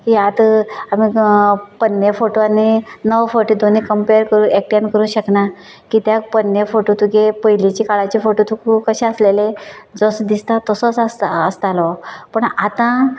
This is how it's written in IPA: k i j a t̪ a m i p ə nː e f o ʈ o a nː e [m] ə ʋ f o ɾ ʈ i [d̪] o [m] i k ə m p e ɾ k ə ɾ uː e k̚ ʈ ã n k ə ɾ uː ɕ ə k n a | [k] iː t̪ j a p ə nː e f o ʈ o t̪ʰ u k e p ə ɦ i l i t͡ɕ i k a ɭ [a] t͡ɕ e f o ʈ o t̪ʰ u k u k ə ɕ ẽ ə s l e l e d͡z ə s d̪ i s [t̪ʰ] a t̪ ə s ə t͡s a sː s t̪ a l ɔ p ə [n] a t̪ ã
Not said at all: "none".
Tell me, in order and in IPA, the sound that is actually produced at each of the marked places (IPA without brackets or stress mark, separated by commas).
n, d̪, n, k, a, t̪, ɳ